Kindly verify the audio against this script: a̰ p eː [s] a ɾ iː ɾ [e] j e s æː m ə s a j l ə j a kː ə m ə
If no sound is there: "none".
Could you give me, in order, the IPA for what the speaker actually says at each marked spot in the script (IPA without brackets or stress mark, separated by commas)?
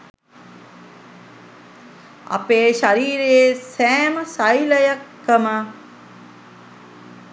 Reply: ʃ, e